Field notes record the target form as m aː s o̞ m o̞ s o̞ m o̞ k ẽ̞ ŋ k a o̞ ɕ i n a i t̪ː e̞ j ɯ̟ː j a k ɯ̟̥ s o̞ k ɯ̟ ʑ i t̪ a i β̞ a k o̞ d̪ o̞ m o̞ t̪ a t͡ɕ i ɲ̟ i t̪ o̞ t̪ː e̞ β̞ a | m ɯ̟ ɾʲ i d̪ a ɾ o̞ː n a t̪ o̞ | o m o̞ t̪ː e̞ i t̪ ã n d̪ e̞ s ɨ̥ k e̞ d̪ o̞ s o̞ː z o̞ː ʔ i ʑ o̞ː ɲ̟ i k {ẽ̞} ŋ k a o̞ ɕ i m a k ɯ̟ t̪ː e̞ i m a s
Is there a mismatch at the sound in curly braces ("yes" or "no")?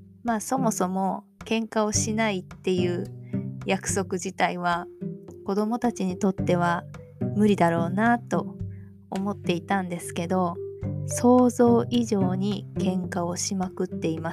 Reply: no